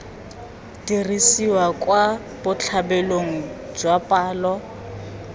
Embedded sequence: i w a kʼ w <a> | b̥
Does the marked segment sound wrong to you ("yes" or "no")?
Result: no